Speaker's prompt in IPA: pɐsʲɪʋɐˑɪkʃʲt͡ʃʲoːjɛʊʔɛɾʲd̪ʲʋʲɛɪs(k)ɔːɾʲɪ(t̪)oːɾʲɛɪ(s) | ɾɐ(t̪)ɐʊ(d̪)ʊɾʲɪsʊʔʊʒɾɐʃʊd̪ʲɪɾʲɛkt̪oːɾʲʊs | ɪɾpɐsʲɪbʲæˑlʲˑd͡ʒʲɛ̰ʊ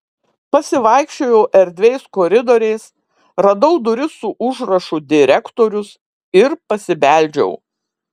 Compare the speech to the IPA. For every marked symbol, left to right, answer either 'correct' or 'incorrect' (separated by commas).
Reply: correct, incorrect, correct, incorrect, correct